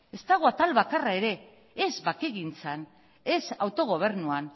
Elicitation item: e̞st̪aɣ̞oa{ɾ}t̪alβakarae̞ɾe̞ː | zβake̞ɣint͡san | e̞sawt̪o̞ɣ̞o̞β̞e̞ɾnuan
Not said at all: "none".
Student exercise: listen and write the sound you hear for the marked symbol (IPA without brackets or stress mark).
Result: none